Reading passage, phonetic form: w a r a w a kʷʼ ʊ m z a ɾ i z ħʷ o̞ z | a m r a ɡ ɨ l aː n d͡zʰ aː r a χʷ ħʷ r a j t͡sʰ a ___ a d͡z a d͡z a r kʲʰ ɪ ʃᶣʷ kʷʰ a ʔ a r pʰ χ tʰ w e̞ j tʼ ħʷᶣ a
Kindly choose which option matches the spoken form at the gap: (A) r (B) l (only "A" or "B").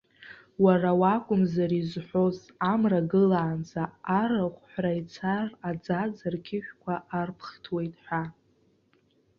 A